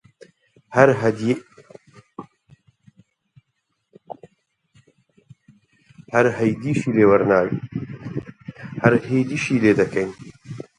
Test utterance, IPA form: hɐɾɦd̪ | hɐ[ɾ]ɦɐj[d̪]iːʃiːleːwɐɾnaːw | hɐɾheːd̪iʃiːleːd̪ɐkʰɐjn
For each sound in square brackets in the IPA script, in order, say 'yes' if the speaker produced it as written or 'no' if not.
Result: yes, yes

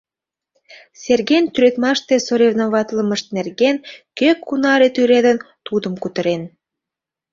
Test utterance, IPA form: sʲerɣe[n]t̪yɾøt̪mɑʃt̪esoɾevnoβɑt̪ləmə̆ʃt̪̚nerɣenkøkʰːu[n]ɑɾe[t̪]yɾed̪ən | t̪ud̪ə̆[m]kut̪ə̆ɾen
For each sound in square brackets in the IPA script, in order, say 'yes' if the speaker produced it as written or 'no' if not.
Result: yes, yes, yes, yes

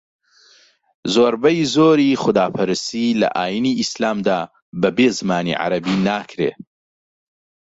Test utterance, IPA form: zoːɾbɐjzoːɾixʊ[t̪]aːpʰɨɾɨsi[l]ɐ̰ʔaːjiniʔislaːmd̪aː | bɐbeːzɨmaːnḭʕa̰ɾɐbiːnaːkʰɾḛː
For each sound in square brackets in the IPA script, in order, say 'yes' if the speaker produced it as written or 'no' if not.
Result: no, yes

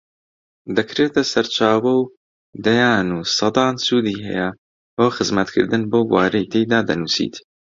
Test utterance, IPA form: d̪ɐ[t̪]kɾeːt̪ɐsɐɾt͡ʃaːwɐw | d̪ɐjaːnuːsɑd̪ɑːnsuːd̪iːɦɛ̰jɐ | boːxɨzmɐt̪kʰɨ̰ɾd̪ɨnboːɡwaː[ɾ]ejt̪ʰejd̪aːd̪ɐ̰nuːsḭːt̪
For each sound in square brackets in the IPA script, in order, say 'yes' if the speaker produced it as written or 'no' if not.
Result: no, yes

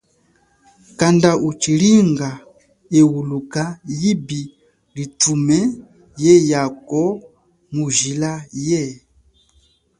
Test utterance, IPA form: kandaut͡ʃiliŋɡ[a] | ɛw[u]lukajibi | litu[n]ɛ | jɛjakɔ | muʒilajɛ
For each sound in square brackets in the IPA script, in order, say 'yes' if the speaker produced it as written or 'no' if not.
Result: yes, yes, no

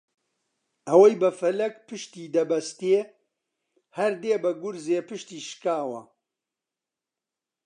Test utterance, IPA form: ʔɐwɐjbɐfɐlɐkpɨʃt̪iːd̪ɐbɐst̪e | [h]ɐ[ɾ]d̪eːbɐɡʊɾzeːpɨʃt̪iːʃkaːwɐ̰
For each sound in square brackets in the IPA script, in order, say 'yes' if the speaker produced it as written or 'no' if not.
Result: yes, yes

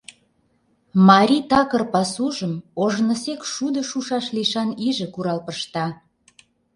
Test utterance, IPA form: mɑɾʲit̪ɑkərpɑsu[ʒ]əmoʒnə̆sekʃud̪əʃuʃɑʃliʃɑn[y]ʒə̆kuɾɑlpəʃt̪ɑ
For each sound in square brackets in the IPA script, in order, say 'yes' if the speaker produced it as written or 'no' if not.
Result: yes, no

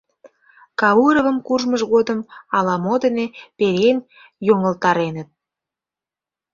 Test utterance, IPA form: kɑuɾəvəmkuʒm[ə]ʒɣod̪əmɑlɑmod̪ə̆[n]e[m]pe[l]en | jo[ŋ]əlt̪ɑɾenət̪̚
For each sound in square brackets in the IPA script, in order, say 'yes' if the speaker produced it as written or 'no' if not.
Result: yes, yes, no, no, yes

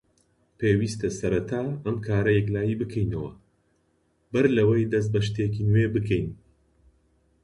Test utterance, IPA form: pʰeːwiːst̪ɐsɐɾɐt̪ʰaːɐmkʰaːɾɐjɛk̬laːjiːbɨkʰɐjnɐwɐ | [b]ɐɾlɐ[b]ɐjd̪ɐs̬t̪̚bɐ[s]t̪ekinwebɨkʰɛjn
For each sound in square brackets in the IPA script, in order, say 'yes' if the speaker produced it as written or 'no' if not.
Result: yes, no, no

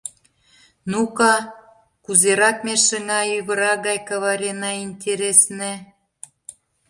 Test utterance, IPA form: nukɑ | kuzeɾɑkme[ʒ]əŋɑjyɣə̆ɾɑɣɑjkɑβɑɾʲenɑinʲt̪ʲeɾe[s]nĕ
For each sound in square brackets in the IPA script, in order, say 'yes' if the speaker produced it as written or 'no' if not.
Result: no, yes

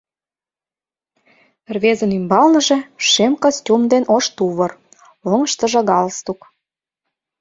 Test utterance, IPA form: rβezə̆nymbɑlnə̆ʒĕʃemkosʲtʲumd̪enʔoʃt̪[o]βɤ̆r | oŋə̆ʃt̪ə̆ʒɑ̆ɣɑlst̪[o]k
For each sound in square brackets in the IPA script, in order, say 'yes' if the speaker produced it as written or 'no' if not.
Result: no, no

